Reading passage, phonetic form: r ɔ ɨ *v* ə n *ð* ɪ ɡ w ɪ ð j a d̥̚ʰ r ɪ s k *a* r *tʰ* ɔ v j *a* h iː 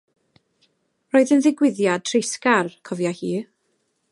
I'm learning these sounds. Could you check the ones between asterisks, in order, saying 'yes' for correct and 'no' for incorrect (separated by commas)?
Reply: no, yes, yes, no, yes